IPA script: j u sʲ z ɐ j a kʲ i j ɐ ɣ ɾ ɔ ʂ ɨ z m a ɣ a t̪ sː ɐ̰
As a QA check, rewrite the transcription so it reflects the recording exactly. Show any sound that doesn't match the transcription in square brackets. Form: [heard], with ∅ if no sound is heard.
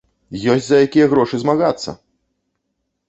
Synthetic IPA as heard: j [ɔ] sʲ z ɐ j a kʲ i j ɐ ɣ ɾ ɔ ʂ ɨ z m a ɣ a t̪ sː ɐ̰